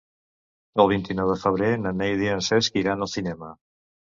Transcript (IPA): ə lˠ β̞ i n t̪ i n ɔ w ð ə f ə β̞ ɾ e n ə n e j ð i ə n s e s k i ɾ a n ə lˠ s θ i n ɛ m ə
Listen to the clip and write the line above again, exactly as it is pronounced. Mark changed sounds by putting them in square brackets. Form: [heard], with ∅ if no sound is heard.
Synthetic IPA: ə lˠ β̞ i n t̪ i n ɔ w ð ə f ə β̞ ɾ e n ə n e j ð i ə n s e s k i ɾ a n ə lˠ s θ i n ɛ m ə